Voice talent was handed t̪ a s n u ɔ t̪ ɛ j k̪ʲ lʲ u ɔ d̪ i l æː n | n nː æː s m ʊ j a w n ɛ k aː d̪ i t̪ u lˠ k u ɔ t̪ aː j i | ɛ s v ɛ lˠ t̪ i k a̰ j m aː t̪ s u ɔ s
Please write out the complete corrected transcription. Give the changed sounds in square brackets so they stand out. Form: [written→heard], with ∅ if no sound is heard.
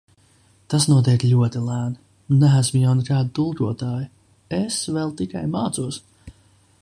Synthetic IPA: t̪ a s n u ɔ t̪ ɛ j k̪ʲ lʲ u ɔ [d̪→t̪] i l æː n | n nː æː s m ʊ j a w n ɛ k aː d̪ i t̪ u lˠ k u ɔ t̪ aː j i | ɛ s v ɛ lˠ t̪ i k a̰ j m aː t̪ s u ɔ s